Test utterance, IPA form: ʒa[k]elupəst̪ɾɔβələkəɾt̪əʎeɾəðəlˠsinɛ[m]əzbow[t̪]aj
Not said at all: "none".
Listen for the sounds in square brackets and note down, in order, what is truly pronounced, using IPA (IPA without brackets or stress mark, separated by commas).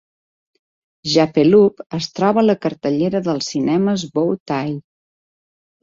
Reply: p, m, t̪